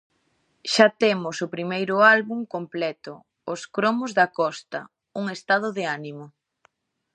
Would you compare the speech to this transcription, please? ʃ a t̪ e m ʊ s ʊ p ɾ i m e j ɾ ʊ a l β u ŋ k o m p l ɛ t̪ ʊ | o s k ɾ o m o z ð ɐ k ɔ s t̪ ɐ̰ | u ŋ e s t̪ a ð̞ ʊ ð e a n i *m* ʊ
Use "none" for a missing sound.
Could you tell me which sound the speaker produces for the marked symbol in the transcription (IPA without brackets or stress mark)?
m